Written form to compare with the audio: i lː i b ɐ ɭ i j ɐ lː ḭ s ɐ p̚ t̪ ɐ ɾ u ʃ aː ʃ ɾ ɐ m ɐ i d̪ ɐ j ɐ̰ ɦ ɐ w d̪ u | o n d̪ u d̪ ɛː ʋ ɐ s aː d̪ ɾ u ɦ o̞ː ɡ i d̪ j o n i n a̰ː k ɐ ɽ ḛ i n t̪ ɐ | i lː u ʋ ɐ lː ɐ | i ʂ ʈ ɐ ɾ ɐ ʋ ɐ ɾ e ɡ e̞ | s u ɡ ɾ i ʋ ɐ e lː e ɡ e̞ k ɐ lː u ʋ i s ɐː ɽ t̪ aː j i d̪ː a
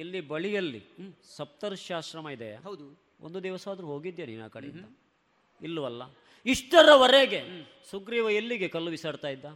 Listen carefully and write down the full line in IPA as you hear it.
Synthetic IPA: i lː i b ɐ ɭ i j ɐ lː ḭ s ɐ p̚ t̪ ɐ ɾ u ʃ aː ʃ ɾ ɐ m ɐ i d̪ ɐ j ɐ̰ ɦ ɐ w d̪ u | o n d̪ u d̪ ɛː ʋ ɐ s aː d̪ ɾ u ɦ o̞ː ɡ i d̪ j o n i n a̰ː k ɐ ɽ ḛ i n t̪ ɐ | i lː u ʋ ɐ lː ɐ | i ʂ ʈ ɐ ɾ ɐ ʋ ɐ ɾ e ɡ e̞ | s u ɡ ɾ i ʋ ɐ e lː i ɡ e̞ k ɐ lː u ʋ i s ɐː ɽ t̪ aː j i d̪ː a